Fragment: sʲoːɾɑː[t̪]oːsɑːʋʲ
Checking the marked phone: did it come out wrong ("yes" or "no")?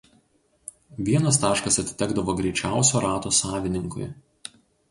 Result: no